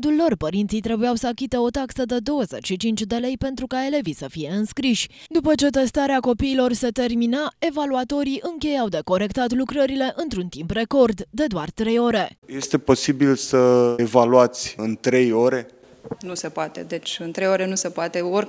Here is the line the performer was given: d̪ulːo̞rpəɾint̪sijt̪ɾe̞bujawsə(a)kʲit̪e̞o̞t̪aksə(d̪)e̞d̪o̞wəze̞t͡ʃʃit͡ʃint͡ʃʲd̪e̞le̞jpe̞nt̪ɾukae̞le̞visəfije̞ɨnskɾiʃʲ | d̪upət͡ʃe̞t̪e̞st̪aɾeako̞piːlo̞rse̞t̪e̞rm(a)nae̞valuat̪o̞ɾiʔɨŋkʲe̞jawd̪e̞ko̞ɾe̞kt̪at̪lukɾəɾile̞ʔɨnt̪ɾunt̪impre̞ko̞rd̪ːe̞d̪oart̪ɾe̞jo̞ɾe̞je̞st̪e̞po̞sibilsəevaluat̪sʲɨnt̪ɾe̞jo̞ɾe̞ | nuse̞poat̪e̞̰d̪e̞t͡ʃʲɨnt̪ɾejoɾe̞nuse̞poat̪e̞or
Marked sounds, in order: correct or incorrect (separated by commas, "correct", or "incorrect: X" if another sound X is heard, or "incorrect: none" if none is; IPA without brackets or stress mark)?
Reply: correct, correct, incorrect: i